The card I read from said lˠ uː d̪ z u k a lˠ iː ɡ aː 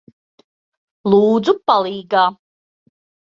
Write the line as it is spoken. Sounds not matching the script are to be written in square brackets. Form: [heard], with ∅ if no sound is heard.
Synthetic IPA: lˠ uː d̪ z u [p] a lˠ iː ɡ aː